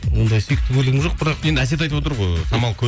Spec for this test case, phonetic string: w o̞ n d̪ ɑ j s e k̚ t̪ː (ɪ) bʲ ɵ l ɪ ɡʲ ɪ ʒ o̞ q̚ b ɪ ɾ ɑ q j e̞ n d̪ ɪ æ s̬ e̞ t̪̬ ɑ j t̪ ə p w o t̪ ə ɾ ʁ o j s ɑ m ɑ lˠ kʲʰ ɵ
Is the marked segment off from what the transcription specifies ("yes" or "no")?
no